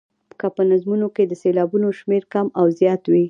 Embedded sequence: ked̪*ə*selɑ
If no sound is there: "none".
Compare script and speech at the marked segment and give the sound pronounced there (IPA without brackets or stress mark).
ə